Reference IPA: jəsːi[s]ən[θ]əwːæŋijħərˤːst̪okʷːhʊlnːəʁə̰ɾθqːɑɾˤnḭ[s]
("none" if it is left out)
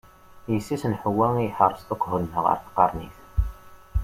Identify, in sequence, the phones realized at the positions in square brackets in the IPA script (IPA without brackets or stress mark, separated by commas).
s, ħ, θ